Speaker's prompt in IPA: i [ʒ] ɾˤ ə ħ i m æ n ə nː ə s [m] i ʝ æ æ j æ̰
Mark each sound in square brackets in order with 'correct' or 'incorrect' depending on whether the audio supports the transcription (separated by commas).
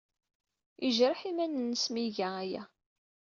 correct, correct